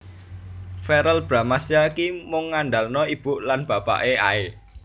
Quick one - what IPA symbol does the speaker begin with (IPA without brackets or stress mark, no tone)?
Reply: f